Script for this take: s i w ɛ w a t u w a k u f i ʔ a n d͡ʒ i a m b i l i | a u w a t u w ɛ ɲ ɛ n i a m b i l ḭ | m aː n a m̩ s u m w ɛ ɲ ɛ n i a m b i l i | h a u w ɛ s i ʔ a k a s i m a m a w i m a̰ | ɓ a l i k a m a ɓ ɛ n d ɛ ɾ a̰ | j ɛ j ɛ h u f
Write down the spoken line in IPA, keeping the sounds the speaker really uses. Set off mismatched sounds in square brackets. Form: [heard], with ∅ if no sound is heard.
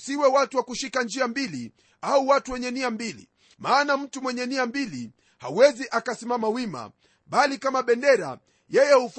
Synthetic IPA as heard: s i w ɛ w a t u w a k u [ʃ] i [k] a n d͡ʒ i a m b i l i | a u w a t u w ɛ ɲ ɛ n i a m b i l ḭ | m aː n a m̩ [t] u m w ɛ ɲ ɛ n i a m b i l i | h a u w ɛ [z] i ʔ a k a s i m a m a w i m a̰ | ɓ a l i k a m a ɓ ɛ n d ɛ ɾ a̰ | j ɛ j ɛ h u f